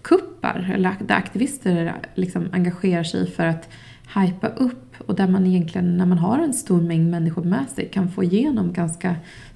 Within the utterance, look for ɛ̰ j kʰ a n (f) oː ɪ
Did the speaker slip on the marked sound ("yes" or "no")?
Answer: no